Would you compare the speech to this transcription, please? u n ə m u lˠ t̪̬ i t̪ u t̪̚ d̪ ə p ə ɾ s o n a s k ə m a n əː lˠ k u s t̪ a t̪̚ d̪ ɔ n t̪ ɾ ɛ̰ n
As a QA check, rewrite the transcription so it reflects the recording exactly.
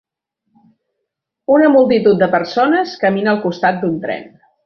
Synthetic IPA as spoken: u n ə m u lˠ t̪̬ i t̪ u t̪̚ d̪ ə p ə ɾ s o n ə s k ə m i n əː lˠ k u s t̪ a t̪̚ d̪ u n t̪ ɾ ɛ̰ n